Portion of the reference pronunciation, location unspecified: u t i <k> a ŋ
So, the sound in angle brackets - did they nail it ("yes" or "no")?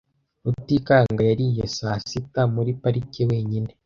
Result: yes